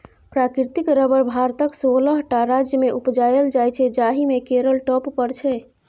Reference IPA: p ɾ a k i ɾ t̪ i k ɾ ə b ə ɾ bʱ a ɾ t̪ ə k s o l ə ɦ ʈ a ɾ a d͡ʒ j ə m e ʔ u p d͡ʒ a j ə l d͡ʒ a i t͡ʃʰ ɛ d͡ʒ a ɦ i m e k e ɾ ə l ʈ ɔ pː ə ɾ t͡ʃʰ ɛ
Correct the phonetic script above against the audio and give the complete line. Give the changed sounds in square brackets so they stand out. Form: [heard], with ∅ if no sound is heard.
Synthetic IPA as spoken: p ɾ a k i ɾ t̪ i k ɾ ə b ə ɾ bʱ a ɾ t̪ ə k s o l ə ɦ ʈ a ɾ a d͡ʒ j ə m e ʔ u p d͡ʒ a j ə l d͡ʒ a [j] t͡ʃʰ ɛ d͡ʒ a ɦ i m e k e ɾ ə l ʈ ɔ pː ə ɾ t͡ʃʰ ɛ